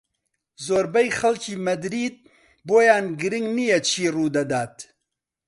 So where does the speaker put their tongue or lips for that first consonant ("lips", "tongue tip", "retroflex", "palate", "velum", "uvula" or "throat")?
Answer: tongue tip